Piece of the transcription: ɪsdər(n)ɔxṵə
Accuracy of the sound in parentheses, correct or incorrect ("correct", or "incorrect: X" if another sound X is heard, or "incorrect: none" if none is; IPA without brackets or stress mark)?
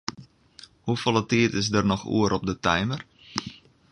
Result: correct